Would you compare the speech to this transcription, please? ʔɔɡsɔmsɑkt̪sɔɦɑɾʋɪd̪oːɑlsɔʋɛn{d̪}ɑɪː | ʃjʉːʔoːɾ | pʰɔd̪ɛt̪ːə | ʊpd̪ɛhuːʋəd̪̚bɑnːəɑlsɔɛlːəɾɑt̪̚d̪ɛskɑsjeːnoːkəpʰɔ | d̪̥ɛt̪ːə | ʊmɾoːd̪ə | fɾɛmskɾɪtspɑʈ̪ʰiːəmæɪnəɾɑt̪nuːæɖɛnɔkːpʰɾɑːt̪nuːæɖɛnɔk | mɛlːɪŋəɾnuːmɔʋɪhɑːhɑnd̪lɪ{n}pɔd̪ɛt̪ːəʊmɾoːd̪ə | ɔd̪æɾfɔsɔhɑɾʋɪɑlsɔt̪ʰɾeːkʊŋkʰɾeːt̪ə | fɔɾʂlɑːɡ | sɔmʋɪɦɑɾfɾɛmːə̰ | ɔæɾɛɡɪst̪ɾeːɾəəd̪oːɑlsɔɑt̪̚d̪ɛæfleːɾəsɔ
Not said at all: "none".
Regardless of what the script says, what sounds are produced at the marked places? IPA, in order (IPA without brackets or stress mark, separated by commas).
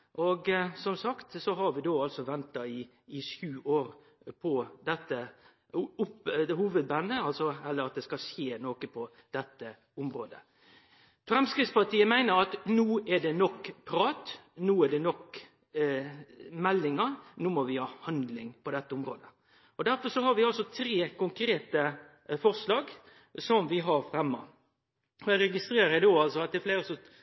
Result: t̪, ŋ